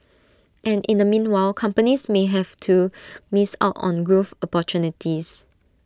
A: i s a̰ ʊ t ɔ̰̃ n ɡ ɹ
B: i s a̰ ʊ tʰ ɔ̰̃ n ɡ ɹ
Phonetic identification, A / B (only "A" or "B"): A